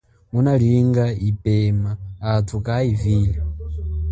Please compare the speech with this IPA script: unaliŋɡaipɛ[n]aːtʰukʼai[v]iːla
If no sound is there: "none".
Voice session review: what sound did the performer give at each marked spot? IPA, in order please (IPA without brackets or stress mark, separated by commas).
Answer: m, v